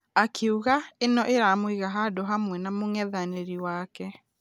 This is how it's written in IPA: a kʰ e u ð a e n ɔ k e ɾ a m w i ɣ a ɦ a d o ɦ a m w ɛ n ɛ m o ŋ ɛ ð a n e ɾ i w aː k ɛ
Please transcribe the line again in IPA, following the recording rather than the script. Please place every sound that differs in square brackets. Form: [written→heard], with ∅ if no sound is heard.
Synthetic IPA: a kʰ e u [ð→ɣ] a e n ɔ [k→ʔ] e ɾ a m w i ɣ a ɦ a d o ɦ a m w ɛ n [ɛ→a] m o ŋ ɛ ð a n e ɾ i w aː k ɛ

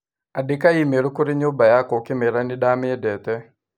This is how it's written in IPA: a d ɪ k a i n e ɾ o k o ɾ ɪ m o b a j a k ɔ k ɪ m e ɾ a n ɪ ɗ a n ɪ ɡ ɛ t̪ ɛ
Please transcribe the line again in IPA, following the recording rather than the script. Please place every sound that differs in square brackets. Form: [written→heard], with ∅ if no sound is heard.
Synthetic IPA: a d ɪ k a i [n→m] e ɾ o k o ɾ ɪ [m→ɲ] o b a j a k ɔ k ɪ m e ɾ a n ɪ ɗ a [n→m] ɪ [ɡ→d] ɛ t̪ ɛ

